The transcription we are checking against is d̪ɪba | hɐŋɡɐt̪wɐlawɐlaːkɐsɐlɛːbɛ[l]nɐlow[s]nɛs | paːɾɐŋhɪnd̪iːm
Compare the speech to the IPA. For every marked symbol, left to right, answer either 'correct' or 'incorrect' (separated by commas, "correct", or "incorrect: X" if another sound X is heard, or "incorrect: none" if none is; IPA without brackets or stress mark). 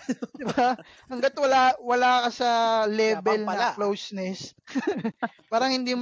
correct, correct